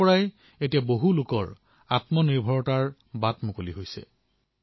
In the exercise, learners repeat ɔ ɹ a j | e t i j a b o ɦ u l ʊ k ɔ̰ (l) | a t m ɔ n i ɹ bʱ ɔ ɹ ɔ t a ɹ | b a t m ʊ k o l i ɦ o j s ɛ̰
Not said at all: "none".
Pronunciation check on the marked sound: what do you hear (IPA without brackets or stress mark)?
ɹ